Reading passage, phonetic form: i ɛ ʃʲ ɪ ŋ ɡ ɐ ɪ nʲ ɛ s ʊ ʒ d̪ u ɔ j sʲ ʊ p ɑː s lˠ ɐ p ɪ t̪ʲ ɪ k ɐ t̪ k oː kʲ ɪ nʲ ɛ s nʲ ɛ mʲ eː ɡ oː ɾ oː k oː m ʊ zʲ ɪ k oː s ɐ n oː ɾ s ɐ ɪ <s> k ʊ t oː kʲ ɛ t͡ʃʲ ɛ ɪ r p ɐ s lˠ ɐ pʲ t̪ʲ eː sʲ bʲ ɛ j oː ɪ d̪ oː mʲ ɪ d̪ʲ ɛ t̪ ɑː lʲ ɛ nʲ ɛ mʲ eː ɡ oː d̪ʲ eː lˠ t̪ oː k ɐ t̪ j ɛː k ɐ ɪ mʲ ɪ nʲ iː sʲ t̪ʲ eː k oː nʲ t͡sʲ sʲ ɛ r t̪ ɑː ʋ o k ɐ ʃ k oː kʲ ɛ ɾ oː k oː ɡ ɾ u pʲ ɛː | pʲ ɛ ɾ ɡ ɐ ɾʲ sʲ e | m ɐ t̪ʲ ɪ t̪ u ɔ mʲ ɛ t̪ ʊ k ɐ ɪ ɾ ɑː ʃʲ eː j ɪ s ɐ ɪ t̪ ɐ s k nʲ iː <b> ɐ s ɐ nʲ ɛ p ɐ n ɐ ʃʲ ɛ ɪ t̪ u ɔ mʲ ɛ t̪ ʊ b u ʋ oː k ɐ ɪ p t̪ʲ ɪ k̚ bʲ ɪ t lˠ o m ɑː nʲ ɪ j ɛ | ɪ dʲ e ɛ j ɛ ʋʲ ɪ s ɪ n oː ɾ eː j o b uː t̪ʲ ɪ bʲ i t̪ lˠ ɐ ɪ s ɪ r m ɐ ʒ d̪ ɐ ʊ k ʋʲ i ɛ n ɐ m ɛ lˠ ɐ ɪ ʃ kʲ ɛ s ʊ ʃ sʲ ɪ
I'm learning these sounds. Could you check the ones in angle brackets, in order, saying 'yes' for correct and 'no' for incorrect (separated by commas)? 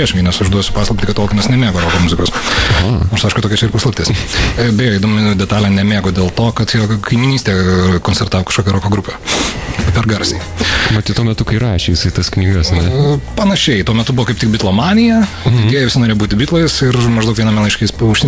no, no